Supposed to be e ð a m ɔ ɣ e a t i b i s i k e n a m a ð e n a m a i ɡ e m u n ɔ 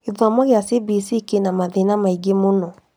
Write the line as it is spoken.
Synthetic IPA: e ð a m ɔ ɣ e a s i b i s i k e n a m a ð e n a m a i ɡ e m o n ɔ